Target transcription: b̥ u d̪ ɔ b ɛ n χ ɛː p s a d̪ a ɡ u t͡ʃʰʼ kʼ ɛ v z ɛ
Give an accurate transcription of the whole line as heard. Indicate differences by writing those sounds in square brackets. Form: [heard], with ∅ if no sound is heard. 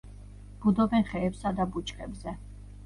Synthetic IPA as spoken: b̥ u d̪ ɔ b ɛ n χ ɛː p s a d̪ a [b] u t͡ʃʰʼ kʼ ɛ [b] z ɛ